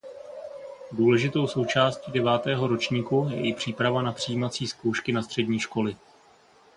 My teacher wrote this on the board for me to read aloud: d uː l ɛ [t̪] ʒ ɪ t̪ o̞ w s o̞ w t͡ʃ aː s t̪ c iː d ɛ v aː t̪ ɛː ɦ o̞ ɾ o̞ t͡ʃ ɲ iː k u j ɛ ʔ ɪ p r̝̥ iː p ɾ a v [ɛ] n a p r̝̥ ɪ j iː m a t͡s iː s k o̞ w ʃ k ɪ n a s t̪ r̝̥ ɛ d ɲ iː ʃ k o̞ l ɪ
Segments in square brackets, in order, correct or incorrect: incorrect: none, incorrect: a

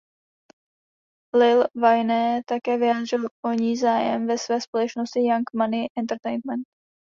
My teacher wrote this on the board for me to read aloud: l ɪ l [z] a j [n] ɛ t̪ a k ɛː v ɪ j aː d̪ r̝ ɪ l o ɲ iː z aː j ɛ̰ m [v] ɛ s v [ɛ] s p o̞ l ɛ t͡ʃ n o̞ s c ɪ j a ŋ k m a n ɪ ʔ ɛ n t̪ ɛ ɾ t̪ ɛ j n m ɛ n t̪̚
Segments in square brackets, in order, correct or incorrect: incorrect: v, correct, correct, incorrect: ɛː

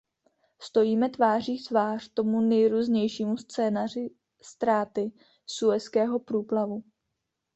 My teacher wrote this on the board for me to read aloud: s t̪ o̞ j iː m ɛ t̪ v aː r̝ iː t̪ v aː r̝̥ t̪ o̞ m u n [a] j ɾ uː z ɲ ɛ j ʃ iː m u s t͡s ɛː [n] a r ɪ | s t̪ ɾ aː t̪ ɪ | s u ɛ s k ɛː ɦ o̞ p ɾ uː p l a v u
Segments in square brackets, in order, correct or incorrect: incorrect: ɛ, correct

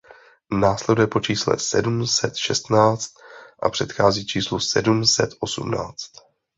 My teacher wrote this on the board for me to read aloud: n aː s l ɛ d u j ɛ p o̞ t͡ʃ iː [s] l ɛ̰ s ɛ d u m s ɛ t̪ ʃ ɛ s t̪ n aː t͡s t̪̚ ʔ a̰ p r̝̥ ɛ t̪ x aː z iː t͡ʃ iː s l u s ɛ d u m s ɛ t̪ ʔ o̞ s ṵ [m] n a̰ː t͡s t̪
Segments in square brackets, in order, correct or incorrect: correct, correct

